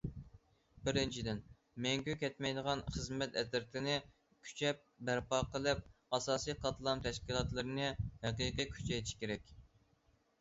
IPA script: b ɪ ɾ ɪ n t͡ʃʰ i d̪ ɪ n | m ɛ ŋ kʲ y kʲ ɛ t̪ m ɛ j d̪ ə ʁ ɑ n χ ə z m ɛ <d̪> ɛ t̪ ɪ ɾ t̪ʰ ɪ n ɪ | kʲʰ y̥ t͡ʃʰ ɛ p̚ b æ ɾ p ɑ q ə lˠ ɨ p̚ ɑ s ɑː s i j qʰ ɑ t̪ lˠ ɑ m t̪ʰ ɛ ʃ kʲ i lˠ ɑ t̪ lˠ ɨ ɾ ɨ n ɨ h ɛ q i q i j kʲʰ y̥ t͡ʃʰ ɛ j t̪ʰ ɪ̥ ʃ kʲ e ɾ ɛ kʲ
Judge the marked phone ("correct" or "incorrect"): incorrect